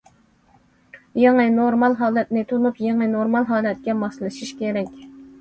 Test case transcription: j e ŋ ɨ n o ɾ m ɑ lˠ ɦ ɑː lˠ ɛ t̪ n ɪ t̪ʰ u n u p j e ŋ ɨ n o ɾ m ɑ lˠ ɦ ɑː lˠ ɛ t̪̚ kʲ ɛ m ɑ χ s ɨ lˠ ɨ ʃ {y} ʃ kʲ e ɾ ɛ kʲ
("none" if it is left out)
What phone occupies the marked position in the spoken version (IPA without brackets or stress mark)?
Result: i